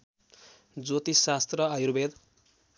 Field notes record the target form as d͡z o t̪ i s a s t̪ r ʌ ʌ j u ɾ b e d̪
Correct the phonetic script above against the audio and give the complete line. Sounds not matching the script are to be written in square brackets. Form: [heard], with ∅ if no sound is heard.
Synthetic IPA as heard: d͡z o t̪ i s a s t̪ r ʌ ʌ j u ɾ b e d̪